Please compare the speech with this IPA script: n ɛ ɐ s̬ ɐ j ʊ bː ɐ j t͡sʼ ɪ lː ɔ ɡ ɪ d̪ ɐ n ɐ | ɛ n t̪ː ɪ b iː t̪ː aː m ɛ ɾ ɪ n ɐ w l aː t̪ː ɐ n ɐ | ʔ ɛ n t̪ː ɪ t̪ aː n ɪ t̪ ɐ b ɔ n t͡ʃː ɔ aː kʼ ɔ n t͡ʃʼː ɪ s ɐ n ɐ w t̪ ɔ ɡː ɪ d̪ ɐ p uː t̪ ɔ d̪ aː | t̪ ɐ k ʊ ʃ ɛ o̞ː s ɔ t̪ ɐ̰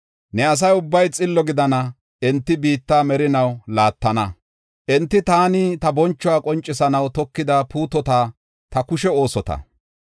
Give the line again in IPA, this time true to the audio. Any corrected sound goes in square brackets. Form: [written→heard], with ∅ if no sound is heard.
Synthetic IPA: n ɛ ɐ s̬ ɐ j ʊ bː ɐ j t͡sʼ ɪ lː ɔ ɡ ɪ d̪ ɐ n ɐ | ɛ n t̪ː ɪ b iː t̪ː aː m ɛ ɾ ɪ n ɐ w l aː t̪ː ɐ n ɐ | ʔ ɛ n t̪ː ɪ t̪ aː n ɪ t̪ ɐ b ɔ n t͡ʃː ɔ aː kʼ ɔ n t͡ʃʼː ɪ s ɐ n ɐ w t̪ ɔ [ɡː→kː] ɪ d̪ ɐ p uː t̪ ɔ [d̪→t̪] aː | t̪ ɐ k ʊ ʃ ɛ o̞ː s ɔ t̪ ɐ̰

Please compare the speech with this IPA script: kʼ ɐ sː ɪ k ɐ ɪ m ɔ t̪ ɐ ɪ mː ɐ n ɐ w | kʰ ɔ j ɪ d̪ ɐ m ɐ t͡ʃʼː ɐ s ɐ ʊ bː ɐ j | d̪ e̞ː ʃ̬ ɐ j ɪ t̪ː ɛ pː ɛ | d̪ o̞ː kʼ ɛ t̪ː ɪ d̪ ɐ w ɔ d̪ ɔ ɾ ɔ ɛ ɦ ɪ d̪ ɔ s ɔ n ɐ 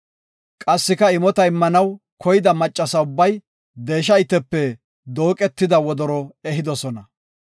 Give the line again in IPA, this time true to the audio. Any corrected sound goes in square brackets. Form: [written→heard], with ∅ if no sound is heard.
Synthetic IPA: kʼ ɐ sː ɪ k ɐ ɪ m ɔ t̪ ɐ ɪ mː ɐ n ɐ w | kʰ ɔ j ɪ d̪ ɐ m ɐ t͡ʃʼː ɐ s ɐ ʊ bː ɐ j | d̪ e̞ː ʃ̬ ɐ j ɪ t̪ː ɛ pː ɛ | d̪ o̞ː kʼ ɛ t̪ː ɪ d̪ ɐ w ɔ d̪ ɔ ɾ ɔ ɛ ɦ ɪ d̪ ɔ s ɔ n ɐ

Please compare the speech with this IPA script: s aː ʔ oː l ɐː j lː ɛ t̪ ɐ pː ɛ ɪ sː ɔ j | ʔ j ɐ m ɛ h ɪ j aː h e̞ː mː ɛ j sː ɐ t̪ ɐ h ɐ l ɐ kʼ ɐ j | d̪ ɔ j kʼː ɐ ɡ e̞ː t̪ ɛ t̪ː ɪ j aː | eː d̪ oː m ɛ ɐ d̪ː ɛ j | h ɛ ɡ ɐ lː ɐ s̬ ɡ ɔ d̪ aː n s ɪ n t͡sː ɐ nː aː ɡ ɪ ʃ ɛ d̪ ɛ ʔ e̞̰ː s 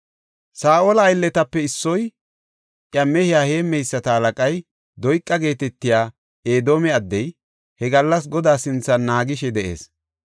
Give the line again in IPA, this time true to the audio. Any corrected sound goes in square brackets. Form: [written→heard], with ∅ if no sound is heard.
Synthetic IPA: s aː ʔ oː l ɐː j lː ɛ t̪ ɐ pː ɛ ɪ sː ɔ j | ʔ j ɐ m ɛ h ɪ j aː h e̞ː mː ɛ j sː ɐ t̪ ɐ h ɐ l ɐ kʼ ɐ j | d̪ ɔ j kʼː ɐ ɡ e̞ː t̪ ɛ t̪ː ɪ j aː | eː d̪ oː m ɛ ɐ d̪ː ɛ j | h ɛ ɡ ɐ lː ɐ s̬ ɡ ɔ d̪ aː [n→∅] s ɪ n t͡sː ɐ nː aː ɡ ɪ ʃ ɛ d̪ ɛ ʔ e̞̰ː s

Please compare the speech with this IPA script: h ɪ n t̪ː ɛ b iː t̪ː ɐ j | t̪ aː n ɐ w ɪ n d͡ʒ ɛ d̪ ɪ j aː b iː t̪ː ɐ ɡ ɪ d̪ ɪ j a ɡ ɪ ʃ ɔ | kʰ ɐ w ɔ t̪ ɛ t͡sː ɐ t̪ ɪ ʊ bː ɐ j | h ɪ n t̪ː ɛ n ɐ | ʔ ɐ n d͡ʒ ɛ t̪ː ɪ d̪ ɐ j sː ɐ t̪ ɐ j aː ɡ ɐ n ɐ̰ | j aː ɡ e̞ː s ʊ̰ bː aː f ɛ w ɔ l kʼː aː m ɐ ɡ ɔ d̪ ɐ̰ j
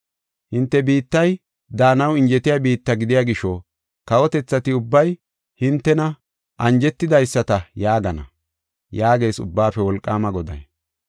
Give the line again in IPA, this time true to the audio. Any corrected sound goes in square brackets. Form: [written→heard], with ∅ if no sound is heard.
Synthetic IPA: h ɪ n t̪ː ɛ b iː t̪ː ɐ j | [t̪→d̪] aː n ɐ w ɪ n d͡ʒ ɛ [d̪→t̪] ɪ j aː b iː t̪ː ɐ ɡ ɪ d̪ ɪ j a ɡ ɪ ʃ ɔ | [kʰ→k] ɐ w ɔ t̪ ɛ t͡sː ɐ t̪ ɪ ʊ bː ɐ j | h ɪ n t̪ː ɛ n ɐ | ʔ ɐ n d͡ʒ ɛ t̪ː ɪ d̪ ɐ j sː ɐ t̪ ɐ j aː ɡ ɐ n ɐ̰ | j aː ɡ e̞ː s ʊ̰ bː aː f ɛ w ɔ l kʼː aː m ɐ ɡ ɔ d̪ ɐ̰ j

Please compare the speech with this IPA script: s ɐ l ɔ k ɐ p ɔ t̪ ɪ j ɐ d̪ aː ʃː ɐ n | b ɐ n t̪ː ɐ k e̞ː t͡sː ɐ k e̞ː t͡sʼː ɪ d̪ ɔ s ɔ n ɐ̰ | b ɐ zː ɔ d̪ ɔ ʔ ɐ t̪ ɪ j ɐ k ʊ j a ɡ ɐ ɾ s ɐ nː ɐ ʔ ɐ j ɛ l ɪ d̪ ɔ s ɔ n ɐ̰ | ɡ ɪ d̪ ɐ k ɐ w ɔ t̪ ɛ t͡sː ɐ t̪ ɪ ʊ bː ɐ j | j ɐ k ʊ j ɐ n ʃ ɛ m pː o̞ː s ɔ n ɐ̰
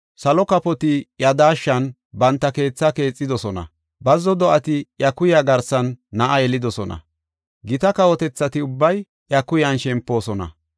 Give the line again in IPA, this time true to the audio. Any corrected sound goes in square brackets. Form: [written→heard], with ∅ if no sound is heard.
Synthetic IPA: s ɐ l ɔ k ɐ p ɔ t̪ ɪ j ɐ d̪ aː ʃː ɐ n | b ɐ n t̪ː ɐ k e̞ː t͡sː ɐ k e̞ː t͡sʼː ɪ d̪ ɔ s ɔ n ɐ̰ | b ɐ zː ɔ d̪ ɔ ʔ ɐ t̪ ɪ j ɐ k ʊ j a ɡ ɐ ɾ s ɐ nː ɐ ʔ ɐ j ɛ l ɪ d̪ ɔ s ɔ n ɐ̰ | ɡ ɪ [d̪→t̪] ɐ k ɐ w ɔ t̪ ɛ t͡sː ɐ t̪ ɪ ʊ bː ɐ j | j ɐ k ʊ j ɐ n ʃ ɛ m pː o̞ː s ɔ n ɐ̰

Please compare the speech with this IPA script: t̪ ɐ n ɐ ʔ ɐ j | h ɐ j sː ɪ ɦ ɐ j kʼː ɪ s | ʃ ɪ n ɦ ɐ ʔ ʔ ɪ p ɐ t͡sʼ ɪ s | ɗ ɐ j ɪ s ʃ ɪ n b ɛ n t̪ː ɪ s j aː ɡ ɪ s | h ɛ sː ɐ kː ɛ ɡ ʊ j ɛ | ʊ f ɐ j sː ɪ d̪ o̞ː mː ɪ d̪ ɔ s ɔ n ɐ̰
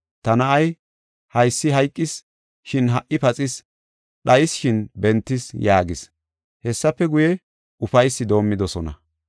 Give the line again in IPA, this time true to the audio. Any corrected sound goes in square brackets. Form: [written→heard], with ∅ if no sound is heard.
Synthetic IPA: t̪ ɐ n ɐ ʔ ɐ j | h ɐ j sː ɪ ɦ ɐ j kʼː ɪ s | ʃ ɪ n ɦ ɐ ʔ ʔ ɪ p ɐ t͡sʼ ɪ s | ɗ ɐ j ɪ s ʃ ɪ n b ɛ n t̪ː ɪ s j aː ɡ ɪ s | h ɛ sː ɐ [kː→pː] ɛ ɡ ʊ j ɛ | ʊ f ɐ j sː ɪ d̪ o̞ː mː ɪ d̪ ɔ s ɔ n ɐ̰

